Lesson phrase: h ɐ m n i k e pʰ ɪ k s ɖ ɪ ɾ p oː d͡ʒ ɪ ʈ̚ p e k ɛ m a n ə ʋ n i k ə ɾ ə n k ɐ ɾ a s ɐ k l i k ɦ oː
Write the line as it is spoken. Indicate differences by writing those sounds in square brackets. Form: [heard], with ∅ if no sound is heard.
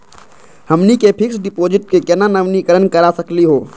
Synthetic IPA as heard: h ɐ m n i k e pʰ ɪ k s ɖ ɪ [∅] p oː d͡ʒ ɪ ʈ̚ [k] e k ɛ [n] a n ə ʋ n i k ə ɾ ə n k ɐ ɾ a s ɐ k l i [∅] ɦ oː